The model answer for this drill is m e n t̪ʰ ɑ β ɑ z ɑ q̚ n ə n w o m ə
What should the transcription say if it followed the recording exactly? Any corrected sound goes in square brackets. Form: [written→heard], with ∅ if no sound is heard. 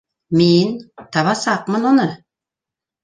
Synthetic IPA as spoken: m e n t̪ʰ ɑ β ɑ [z→s] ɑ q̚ [n→m] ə n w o [m→n] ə